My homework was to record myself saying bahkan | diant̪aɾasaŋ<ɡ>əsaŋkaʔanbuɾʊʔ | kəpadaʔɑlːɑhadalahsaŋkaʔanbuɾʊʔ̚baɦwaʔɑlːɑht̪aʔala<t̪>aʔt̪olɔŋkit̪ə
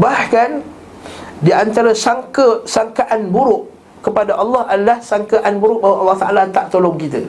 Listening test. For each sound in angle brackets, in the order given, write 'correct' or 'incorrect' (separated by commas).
incorrect, correct